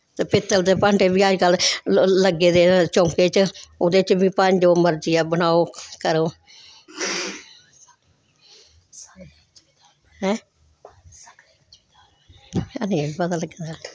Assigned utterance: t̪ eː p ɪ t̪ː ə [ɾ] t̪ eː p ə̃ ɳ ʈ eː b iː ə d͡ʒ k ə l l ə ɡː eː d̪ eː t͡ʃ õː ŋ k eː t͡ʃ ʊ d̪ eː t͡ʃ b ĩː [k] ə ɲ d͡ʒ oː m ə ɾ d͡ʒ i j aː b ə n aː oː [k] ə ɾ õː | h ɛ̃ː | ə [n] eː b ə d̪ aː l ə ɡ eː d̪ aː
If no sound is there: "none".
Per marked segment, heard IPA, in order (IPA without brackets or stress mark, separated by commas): l, p, k, n